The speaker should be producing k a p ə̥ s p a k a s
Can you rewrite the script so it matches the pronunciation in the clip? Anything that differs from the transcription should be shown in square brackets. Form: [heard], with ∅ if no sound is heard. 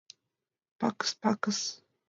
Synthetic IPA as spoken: [p] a [k] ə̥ s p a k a s

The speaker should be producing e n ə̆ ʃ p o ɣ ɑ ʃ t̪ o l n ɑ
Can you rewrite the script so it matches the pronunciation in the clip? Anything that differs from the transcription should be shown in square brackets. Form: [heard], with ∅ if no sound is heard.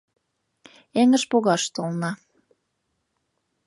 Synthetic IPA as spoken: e [ŋ] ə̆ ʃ p o ɣ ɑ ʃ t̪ o l n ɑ

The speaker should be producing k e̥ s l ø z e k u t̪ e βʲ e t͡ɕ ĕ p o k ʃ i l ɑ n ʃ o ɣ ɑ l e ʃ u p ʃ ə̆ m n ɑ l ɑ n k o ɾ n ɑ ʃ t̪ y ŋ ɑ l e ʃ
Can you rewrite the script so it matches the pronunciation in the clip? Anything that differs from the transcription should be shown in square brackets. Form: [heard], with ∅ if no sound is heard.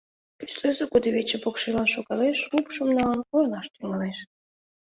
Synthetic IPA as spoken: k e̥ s l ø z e k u [d̪] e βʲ e t͡ɕ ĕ p o k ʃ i l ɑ n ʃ o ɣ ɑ l e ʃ u p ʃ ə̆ m n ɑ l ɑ n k o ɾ n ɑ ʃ t̪ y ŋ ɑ l e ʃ

